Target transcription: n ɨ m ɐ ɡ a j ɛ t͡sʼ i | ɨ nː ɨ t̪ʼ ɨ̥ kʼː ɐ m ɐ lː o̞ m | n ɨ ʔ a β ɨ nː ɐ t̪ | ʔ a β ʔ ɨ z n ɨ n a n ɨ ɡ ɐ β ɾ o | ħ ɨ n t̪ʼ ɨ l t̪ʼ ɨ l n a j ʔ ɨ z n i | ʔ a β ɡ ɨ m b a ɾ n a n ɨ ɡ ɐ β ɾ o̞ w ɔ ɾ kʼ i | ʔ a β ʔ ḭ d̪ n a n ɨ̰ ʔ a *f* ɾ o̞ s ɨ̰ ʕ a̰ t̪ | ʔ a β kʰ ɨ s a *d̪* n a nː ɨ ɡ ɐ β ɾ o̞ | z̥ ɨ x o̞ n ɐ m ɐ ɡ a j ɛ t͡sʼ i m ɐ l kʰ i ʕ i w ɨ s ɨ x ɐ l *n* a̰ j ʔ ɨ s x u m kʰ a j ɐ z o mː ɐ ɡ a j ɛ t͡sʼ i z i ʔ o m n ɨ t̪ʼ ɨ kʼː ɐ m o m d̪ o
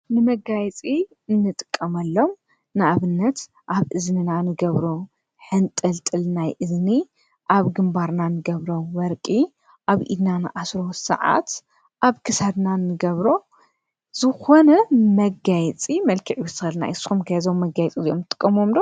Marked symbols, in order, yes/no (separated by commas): no, yes, yes